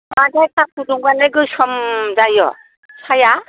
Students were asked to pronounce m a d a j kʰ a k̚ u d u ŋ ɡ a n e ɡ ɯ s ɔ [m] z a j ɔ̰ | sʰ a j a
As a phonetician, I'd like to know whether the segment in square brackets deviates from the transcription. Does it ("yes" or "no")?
no